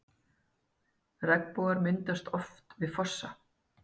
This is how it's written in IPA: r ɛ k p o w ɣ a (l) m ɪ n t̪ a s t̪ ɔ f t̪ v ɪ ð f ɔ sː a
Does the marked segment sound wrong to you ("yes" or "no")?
yes